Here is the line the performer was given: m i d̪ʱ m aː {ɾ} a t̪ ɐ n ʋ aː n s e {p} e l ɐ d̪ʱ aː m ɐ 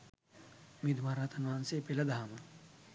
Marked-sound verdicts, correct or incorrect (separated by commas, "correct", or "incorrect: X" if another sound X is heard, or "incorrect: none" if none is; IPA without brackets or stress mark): correct, correct